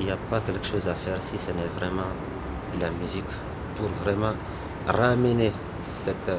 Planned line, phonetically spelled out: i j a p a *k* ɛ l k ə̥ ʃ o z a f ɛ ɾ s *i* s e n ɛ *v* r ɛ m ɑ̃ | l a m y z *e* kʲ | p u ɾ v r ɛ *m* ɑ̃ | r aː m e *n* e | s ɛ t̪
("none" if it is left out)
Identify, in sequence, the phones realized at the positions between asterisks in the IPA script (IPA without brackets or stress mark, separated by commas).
k, i, v, i, m, n